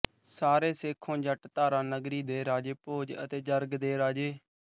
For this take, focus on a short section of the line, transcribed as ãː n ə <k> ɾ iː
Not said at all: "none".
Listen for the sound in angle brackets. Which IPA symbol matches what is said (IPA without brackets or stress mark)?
ɡ